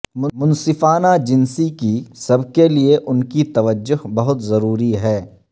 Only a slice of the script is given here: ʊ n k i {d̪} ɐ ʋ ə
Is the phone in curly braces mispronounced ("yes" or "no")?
yes